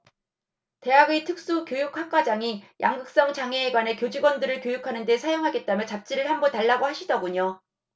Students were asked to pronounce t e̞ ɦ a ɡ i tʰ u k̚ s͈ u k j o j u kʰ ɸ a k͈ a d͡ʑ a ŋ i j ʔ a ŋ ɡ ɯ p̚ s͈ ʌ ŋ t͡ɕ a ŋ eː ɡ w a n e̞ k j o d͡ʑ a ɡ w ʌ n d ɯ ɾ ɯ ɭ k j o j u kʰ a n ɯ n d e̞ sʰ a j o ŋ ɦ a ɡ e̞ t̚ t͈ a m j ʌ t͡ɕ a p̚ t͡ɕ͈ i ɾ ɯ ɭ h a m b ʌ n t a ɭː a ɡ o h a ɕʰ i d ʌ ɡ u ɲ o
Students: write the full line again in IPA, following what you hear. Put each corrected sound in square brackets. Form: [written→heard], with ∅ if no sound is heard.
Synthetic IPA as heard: t e̞ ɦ a ɡ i tʰ [u→ɯ] k̚ s͈ u k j o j u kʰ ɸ a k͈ a d͡ʑ a ŋ i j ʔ a ŋ ɡ ɯ [p̚→k̚] s͈ ʌ ŋ t͡ɕ a ŋ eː ɡ w a n e̞ k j o d͡ʑ [a→i] ɡ w ʌ n d ɯ ɾ ɯ ɭ k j o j u kʰ a n ɯ n d e̞ sʰ a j o ŋ ɦ a ɡ e̞ t̚ t͈ a m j ʌ t͡ɕ a p̚ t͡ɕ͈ i ɾ ɯ ɭ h a m b ʌ n t a ɭː a ɡ o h a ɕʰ i d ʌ ɡ u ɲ o

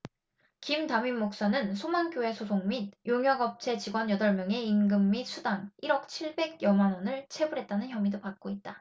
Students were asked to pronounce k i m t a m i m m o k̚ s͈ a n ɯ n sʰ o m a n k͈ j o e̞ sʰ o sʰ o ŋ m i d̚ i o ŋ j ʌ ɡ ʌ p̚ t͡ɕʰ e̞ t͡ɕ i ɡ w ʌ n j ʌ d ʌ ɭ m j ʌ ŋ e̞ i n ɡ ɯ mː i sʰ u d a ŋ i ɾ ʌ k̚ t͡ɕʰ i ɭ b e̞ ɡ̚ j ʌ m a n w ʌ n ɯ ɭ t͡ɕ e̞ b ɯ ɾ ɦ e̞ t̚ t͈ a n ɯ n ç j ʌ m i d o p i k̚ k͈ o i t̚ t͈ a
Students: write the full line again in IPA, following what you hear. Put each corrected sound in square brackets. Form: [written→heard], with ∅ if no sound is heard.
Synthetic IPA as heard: k i m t a m i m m o k̚ s͈ a n ɯ n sʰ o m a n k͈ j o e̞ sʰ o sʰ o ŋ m i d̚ [i→j] o ŋ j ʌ ɡ ʌ p̚ t͡ɕʰ e̞ t͡ɕ i ɡ w ʌ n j ʌ d ʌ ɭ m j ʌ ŋ e̞ i n ɡ ɯ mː i sʰ u d a ŋ i ɾ ʌ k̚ t͡ɕʰ i ɭ b e̞ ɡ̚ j ʌ m a n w ʌ n ɯ ɭ [t͡ɕ→t͡ɕʰ] e̞ b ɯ ɾ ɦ e̞ t̚ t͈ a n ɯ n ç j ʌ m i d o p [i→a] k̚ k͈ o i t̚ t͈ a

